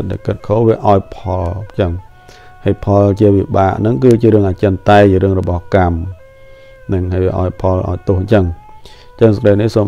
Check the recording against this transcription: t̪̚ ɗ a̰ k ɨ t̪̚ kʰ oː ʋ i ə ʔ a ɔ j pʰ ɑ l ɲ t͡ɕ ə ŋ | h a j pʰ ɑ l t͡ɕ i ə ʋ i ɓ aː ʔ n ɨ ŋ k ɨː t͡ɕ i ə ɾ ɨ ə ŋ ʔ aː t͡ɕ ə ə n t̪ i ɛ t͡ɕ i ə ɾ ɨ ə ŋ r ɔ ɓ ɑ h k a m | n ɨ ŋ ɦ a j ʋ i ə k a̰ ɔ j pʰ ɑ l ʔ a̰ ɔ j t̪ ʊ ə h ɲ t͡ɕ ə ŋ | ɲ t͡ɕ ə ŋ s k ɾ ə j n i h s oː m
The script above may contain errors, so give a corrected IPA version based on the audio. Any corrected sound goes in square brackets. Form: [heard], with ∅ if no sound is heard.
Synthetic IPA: t̪̚ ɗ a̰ k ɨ t̪̚ kʰ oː ʋ i ə ʔ a ɔ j pʰ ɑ l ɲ t͡ɕ ə ŋ | h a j pʰ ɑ l t͡ɕ i ə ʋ i ɓ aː ʔ n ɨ ŋ k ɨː t͡ɕ i ə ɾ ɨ ə ŋ ʔ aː t͡ɕ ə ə n t̪ [a] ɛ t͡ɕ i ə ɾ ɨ ə ŋ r ɔ ɓ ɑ h k a m | n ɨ ŋ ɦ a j ʋ i ə [ʔ] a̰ ɔ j pʰ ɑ l ʔ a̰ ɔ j t̪ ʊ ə h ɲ t͡ɕ ə ŋ | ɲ t͡ɕ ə ŋ s k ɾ ə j n i h s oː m